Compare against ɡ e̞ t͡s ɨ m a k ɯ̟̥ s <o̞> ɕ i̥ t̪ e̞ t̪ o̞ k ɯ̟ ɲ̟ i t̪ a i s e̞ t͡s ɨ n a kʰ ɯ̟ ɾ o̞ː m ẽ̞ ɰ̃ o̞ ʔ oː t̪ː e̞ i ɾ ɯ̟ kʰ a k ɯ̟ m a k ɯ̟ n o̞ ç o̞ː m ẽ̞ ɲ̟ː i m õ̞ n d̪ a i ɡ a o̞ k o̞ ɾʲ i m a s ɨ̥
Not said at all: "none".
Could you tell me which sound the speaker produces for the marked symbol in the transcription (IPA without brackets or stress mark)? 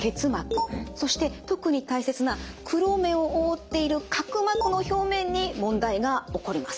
o̞